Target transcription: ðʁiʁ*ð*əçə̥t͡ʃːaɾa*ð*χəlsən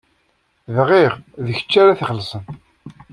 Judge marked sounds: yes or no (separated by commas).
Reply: yes, no